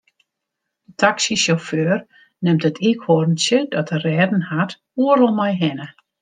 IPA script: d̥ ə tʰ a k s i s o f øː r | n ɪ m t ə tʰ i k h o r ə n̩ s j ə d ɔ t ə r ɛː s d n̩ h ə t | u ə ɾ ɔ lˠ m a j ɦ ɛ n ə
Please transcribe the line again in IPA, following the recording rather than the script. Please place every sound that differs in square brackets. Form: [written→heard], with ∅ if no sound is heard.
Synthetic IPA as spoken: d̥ ə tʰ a k s i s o f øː r | n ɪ m t ə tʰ i k h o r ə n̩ s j ə d ɔ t ə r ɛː [s→∅] d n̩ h [ə→a] t | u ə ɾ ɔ lˠ m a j ɦ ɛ n ə